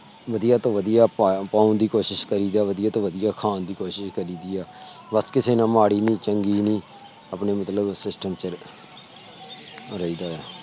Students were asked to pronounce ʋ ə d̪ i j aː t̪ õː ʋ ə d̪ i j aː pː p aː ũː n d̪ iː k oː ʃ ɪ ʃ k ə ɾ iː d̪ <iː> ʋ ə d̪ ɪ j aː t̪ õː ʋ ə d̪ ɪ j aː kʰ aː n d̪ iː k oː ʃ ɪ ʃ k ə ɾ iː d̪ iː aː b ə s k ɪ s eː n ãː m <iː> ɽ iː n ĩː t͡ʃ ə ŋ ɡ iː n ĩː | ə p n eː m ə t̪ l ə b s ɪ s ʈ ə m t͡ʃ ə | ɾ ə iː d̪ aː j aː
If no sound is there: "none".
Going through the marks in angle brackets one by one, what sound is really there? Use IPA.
aː, aː

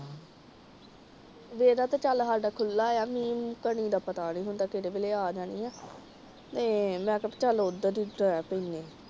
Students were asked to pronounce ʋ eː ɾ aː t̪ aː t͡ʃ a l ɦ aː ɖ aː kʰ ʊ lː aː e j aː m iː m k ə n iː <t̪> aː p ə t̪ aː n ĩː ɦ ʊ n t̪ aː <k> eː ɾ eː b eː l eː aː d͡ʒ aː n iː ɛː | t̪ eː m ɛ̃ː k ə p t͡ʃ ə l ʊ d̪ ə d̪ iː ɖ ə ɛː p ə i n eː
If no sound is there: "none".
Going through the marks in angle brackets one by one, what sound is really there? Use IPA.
d̪, k

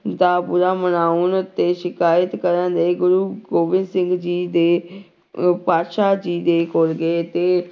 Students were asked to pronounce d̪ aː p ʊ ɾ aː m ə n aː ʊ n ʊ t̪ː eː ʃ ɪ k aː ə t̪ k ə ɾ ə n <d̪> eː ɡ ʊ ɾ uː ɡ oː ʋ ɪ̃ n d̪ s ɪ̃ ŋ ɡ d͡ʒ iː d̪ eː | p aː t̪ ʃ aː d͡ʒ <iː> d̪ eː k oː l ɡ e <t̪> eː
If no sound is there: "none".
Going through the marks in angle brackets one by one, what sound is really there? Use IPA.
d̪, iː, t̪

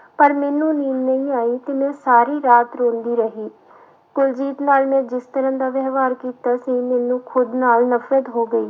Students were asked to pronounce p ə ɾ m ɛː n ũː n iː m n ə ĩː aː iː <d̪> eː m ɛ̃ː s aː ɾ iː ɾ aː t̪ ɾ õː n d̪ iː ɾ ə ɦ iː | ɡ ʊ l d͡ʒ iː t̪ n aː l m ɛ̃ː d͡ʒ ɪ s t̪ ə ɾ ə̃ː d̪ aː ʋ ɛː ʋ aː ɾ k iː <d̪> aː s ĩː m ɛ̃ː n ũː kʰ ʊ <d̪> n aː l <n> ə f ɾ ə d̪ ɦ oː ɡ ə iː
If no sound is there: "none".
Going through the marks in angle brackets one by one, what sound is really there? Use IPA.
t̪, t̪, d̪, n

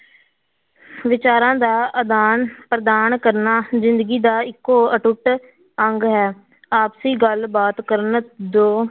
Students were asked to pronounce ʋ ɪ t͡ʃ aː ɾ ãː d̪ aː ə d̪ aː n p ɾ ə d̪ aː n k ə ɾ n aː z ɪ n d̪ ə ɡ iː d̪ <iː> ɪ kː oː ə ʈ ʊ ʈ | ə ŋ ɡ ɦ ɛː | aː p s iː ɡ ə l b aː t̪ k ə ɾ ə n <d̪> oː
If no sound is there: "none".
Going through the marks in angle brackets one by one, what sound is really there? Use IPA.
aː, d̪

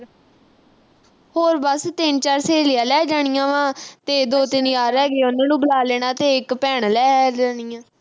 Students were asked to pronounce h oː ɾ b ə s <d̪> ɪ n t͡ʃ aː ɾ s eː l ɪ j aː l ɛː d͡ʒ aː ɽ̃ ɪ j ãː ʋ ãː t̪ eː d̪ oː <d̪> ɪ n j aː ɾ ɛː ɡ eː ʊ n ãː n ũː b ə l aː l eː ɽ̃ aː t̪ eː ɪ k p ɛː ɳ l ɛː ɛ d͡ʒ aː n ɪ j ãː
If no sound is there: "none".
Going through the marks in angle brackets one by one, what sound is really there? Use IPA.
t̪, t̪

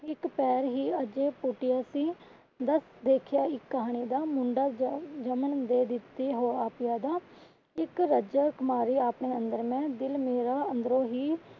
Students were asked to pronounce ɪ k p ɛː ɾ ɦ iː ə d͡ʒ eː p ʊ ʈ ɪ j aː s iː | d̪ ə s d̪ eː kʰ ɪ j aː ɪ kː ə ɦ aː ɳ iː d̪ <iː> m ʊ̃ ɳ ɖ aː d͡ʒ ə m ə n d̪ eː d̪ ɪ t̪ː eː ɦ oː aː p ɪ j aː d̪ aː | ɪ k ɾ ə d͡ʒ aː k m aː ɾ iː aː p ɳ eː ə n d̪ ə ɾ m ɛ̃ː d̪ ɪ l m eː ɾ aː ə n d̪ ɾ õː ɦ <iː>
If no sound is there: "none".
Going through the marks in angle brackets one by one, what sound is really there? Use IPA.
aː, iː

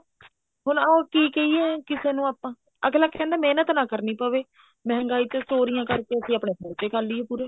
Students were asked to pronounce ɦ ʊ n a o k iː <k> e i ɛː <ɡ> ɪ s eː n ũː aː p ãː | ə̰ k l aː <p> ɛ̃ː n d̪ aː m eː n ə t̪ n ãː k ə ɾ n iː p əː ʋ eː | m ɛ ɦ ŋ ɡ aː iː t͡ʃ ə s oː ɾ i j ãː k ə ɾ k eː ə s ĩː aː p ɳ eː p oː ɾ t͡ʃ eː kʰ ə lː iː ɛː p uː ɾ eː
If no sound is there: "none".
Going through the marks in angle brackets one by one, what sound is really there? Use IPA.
k, k, k

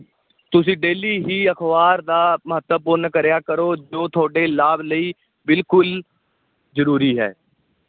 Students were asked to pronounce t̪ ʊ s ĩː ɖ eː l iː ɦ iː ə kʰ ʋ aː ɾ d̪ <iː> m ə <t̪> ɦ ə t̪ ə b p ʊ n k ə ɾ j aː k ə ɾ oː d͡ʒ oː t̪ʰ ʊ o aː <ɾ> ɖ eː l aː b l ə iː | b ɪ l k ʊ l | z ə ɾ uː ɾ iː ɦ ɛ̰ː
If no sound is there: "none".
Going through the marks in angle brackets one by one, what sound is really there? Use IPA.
aː, none, none

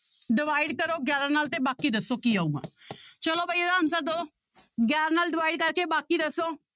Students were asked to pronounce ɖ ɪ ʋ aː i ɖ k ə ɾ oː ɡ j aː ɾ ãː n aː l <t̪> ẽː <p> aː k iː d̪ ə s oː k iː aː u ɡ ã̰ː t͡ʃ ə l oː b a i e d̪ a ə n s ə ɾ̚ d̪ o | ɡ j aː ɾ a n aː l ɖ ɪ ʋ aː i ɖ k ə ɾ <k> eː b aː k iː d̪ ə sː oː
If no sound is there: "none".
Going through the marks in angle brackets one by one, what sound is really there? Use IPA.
t̪, b, k

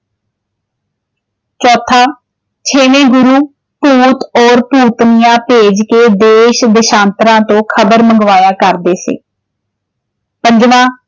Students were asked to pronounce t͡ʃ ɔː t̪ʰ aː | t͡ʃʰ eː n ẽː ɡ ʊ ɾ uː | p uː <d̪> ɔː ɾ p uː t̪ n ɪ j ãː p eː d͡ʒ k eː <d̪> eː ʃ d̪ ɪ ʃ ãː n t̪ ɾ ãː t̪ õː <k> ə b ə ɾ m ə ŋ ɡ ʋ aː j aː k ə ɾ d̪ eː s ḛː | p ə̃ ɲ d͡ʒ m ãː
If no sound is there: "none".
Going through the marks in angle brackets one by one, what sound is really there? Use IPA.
t̪, d̪, kʰ

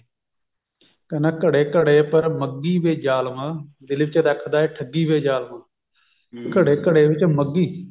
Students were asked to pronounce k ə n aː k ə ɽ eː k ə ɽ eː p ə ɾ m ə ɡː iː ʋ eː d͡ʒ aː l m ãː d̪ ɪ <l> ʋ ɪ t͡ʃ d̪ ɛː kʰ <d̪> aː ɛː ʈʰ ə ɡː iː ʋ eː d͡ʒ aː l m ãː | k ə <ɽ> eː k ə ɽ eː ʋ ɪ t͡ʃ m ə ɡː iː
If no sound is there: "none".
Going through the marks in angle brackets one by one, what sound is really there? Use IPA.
l, d̪, ɽ

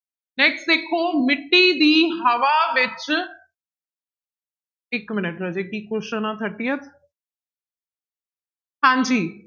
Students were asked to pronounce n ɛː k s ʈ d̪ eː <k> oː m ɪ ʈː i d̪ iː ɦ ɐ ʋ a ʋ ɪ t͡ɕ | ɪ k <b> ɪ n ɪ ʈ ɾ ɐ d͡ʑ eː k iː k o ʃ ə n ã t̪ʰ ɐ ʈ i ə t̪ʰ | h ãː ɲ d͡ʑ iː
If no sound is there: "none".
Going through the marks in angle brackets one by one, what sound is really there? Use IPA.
kʰ, m

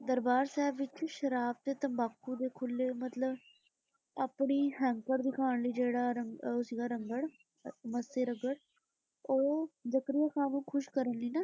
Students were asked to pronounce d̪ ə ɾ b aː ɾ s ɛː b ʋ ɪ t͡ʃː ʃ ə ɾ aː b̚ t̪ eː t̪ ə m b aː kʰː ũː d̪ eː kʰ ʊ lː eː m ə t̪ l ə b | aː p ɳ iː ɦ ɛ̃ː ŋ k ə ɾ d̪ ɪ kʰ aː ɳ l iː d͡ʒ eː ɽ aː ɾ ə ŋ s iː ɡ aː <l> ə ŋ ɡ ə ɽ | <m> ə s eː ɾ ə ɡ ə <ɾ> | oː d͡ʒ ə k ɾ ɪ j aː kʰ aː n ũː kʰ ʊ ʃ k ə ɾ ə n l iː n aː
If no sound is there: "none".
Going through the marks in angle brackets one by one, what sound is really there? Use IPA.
ɾ, m, ɽ

